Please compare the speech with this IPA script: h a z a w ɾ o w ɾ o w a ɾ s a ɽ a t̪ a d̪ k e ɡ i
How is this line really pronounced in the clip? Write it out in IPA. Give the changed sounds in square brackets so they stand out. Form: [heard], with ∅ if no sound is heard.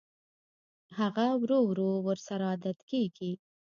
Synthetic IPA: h a [ɣ] a w ɾ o w ɾ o w [ə] ɾ s a [ɾ] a [d̪] a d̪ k e ɡ i